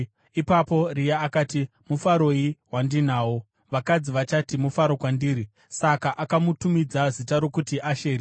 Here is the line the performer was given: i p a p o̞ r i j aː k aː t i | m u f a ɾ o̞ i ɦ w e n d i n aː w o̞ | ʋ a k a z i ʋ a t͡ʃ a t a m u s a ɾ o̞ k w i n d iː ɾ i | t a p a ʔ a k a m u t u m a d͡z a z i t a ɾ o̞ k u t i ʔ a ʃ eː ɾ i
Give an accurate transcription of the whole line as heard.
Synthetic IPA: i p a p o̞ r i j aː k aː t i | m u f a ɾ o̞ i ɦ w a n d i n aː w o̞ | ʋ a k a d͡z i ʋ a t͡ʃ a t i m u f a ɾ o̞ k w a n d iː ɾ i | s a k a ʔ a k a m u t u m i d͡z a z i t a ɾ o̞ k u t i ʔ a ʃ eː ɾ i